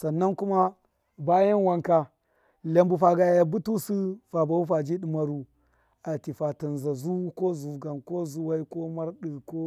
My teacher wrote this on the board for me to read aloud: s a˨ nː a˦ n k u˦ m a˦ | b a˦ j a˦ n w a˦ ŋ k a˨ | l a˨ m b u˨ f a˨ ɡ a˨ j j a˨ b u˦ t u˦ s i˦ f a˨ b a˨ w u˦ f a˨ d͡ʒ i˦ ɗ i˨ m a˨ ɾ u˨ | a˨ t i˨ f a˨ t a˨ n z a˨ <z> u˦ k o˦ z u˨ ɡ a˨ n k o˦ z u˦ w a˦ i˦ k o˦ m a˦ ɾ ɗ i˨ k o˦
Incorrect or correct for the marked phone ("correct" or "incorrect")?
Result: correct